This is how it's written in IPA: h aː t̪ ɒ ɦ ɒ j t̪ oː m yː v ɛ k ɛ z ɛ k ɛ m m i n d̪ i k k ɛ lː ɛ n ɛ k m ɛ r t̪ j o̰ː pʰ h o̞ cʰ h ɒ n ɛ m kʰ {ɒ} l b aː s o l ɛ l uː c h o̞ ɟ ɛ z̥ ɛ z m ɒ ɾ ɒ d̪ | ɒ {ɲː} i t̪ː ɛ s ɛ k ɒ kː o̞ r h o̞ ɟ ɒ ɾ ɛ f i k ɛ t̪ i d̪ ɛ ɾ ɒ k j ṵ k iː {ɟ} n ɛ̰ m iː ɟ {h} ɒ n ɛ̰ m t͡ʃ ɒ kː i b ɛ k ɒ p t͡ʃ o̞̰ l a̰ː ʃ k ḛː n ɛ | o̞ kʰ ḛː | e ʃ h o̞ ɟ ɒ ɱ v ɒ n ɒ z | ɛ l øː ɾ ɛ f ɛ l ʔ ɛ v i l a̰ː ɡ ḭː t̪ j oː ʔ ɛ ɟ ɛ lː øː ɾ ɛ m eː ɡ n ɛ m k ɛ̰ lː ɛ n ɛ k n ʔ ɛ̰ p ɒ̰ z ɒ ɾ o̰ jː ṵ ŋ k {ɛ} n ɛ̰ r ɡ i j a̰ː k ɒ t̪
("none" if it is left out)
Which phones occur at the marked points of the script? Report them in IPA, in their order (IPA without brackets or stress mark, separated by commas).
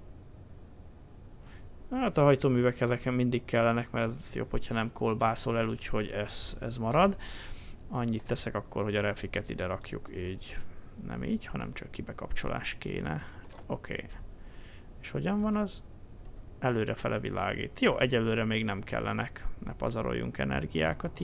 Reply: o, ɲː, ɟ, h, ɛ